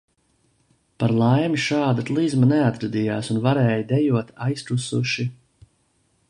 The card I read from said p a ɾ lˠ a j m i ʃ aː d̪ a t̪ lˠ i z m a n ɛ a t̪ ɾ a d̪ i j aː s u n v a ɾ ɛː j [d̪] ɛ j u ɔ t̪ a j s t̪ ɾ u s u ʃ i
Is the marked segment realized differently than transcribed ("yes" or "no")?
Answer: no